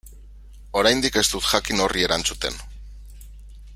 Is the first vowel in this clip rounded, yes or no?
yes